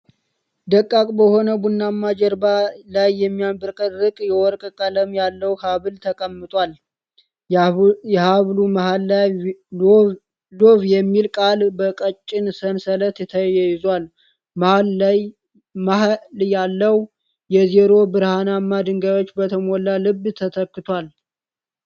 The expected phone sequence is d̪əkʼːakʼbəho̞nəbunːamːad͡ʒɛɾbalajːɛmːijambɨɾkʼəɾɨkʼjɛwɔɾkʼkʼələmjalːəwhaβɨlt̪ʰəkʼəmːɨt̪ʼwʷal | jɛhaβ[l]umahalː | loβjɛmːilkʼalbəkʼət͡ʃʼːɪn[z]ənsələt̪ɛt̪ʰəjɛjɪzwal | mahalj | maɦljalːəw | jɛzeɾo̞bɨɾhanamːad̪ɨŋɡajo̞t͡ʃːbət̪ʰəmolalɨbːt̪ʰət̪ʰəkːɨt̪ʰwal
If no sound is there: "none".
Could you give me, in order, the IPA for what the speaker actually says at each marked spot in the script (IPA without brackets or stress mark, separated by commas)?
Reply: l, s